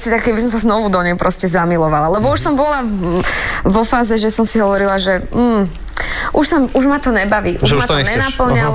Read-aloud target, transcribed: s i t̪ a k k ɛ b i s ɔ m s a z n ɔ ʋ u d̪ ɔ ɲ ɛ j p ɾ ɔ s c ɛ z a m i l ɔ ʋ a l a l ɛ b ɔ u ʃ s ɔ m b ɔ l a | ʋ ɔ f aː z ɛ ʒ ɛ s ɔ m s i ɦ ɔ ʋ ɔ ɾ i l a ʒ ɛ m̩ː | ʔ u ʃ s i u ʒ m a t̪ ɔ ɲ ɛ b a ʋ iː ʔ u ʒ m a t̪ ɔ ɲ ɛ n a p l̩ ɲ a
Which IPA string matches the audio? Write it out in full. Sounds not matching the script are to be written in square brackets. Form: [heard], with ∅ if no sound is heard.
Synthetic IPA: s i t̪ a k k ɛ b i s ɔ m s a z n ɔ ʋ u d̪ ɔ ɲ ɛ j p ɾ ɔ s c ɛ z a m i l ɔ ʋ a l a l ɛ b ɔ u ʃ s ɔ m b ɔ l a | ʋ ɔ f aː z ɛ ʒ ɛ s ɔ m s i ɦ ɔ ʋ ɔ ɾ i l a ʒ ɛ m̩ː | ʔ u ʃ s [a] u ʒ m a t̪ ɔ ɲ ɛ b a ʋ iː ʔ u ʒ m a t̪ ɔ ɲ ɛ n a p l̩ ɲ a